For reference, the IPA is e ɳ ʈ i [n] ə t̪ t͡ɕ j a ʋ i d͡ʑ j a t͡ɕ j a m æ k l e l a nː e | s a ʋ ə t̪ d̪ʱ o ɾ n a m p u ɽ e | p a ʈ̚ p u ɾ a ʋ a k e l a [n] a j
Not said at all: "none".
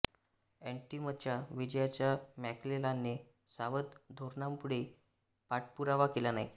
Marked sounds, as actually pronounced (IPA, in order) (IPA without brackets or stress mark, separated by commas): m, n